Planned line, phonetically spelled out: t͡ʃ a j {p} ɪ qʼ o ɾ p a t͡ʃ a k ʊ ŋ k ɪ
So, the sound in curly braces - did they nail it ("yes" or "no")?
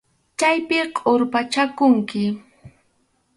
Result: yes